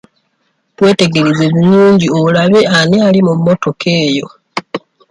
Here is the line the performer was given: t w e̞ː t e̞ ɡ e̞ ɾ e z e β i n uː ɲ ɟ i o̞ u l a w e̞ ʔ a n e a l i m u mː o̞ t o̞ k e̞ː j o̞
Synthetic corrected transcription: t w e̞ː t e̞ ɡ e̞ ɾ e z e β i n uː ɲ ɟ i o̞ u l a β e̞ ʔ a n e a l i m u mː o̞ t o̞ k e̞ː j o̞

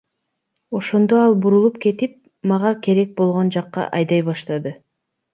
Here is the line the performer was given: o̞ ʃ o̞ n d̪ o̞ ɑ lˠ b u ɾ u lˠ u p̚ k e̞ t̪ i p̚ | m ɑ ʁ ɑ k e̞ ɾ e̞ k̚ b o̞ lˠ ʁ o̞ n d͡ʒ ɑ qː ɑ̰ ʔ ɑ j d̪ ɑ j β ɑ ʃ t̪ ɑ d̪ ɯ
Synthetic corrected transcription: o̞ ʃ o̞ n d̪ o̞ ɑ lˠ b u ɾ u lˠ u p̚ k e̞ t̪ i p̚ | m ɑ ʁ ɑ k e̞ ɾ e̞ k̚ b o̞ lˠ ʁ o̞ n d͡ʒ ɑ qː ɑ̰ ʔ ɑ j d̪ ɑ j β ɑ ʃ t̪ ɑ d̪ ɯ

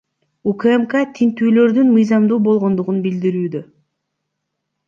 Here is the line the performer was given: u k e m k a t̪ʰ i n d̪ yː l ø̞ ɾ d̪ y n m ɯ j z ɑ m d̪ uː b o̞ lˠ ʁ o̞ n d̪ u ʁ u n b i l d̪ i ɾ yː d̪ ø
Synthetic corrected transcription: u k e m k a t̪ʰ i n t̪ yː l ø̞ ɾ d̪ y n m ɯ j z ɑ m d̪ uː b o̞ lˠ ʁ o̞ n d̪ u ʁ u n b i l d̪ i ɾ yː d̪ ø

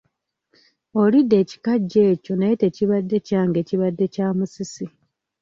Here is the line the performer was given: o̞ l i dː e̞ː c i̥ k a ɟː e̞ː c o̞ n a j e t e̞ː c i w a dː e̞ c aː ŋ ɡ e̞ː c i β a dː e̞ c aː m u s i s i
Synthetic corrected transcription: o̞ l i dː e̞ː c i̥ k a ɟː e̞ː c o̞ n a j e t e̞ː c i β a dː e̞ c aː ŋ ɡ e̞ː c i β a dː e̞ c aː m u s i s i

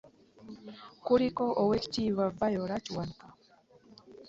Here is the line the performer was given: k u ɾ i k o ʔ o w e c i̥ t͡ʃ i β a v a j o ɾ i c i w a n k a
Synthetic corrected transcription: k u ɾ i k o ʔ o w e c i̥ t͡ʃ i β a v a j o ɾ a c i w a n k a

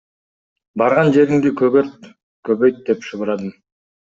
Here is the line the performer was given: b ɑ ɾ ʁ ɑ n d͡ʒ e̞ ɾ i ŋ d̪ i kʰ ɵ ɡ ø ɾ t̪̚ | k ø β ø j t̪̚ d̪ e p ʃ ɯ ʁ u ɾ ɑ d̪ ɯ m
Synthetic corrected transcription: b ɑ ɾ ʁ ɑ n d͡ʒ e̞ ɾ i ŋ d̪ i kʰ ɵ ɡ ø ɾ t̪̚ | k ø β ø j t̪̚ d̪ e p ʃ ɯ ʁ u ɾ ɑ d̪ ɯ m

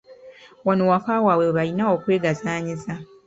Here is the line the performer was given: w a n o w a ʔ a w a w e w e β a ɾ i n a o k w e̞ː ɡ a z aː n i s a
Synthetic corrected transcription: w a n o w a k a w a w e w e β a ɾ i n a o k w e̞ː ɡ a z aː ɲ i z a

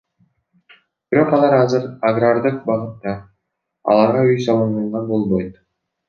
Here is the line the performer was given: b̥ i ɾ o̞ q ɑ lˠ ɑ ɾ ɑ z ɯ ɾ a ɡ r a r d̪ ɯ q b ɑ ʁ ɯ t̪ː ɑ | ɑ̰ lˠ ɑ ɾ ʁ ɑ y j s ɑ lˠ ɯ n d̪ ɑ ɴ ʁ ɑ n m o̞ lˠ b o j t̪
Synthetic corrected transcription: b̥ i ɾ o̞ q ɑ lˠ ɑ ɾ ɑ z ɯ ɾ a ɡ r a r d̪ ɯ q b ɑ ʁ ɯ t̪ː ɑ | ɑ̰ lˠ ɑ ɾ ʁ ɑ y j s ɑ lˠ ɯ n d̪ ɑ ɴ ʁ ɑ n b o̞ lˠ b o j t̪

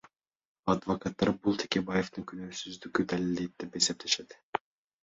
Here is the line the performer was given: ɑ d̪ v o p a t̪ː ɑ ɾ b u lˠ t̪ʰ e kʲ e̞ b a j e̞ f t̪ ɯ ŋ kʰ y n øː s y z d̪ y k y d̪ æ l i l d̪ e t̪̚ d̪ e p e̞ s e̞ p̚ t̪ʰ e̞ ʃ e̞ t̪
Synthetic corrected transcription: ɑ d̪ v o k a t̪ː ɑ ɾ b u lˠ t̪ʰ e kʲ e̞ b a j e̞ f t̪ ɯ ŋ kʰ y n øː s y z d̪ y k y d̪ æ l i l d̪ e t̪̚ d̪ e p e̞ s e̞ p̚ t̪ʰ e̞ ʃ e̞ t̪

